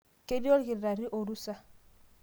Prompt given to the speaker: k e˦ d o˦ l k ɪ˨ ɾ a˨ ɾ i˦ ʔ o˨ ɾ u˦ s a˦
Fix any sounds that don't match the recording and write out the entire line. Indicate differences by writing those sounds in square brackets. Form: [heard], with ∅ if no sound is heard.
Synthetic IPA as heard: k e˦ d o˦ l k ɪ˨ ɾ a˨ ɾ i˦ ʔ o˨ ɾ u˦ s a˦